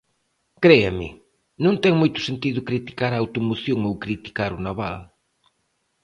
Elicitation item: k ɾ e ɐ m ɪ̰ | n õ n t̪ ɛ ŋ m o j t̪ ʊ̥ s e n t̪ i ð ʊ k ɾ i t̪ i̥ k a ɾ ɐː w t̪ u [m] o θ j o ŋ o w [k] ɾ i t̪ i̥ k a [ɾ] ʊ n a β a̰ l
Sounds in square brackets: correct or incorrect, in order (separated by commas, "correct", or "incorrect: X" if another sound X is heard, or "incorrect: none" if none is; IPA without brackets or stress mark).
correct, correct, correct